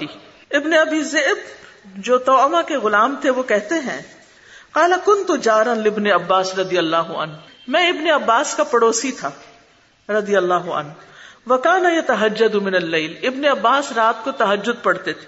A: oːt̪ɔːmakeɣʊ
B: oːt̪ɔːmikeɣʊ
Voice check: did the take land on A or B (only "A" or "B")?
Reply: A